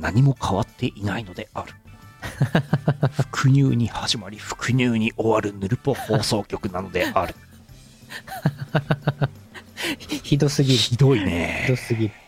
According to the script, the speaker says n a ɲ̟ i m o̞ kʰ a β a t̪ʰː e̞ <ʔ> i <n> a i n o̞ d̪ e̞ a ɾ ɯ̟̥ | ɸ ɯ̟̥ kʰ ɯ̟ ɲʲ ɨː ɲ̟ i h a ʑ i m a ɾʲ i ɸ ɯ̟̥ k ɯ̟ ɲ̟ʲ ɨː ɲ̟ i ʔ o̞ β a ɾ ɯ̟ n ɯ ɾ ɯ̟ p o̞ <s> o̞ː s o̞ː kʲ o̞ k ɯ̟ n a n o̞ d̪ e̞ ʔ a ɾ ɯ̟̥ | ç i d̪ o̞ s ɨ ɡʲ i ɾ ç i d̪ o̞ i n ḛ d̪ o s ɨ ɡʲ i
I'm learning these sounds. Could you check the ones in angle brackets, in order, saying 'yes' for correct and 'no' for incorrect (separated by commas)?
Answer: yes, yes, no